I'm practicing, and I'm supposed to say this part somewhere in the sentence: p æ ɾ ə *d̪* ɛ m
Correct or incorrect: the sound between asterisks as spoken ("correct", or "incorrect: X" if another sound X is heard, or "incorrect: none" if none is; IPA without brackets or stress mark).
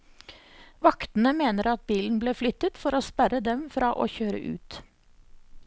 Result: correct